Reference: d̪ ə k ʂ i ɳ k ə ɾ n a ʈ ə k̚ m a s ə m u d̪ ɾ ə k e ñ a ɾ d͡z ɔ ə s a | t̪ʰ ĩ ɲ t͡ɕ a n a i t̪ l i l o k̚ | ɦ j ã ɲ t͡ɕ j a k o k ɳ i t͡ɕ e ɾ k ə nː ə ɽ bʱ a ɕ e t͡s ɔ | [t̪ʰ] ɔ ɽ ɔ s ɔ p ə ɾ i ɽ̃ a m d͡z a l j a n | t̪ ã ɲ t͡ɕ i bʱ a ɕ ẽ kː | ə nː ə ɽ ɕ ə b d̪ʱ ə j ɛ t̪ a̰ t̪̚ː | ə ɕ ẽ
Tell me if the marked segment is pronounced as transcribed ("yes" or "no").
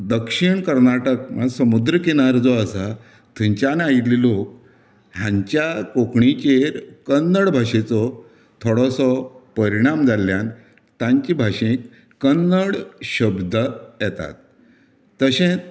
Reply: yes